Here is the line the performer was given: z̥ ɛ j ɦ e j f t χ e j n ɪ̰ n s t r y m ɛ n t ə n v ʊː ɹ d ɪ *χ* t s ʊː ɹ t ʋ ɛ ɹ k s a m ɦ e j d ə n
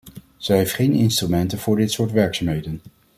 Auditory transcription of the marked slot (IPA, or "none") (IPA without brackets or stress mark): none